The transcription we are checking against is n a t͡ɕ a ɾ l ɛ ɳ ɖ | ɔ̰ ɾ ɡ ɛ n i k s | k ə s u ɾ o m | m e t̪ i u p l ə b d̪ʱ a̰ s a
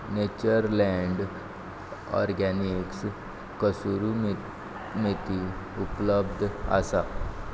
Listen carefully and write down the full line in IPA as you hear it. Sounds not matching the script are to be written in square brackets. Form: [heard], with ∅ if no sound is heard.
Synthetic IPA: n [e] t͡ɕ [ə] ɾ l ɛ ɳ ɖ | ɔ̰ ɾ ɡ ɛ n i k s | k ə s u ɾ [u] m | m e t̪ i u p l ə b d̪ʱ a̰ s a

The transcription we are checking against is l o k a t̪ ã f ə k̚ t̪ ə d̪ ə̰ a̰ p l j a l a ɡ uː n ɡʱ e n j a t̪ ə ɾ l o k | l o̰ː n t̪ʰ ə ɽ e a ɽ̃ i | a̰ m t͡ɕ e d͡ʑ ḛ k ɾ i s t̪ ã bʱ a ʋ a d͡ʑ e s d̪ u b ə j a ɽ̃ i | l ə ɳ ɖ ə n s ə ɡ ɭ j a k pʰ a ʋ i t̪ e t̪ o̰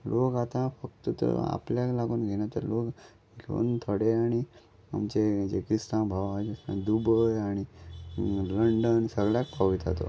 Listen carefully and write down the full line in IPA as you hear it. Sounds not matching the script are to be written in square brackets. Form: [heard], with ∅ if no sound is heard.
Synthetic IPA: l o k a t̪ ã f ə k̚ t̪ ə [t̪] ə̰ a̰ p l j a l a ɡ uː n ɡʱ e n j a t̪ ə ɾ l o k | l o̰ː n t̪ʰ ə ɽ e a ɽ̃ i | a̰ m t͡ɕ e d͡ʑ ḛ k ɾ i s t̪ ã bʱ a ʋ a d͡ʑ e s d̪ u b ə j a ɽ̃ i | l ə ɳ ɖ ə n s ə ɡ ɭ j a k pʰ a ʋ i t̪ [a] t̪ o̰

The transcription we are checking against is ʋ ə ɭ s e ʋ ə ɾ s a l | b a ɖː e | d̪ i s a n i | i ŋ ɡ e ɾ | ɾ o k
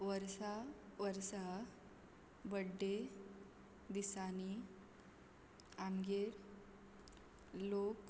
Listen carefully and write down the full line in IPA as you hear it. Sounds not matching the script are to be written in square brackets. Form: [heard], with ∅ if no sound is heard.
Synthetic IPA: ʋ ə [ɾ] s [a] ʋ ə ɾ s a [∅] | b [ə] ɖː e | d̪ i s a n i | [a] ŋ ɡ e ɾ | [l] o k

